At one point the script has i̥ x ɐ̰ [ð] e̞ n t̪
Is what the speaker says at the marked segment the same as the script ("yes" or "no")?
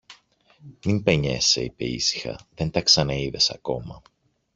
yes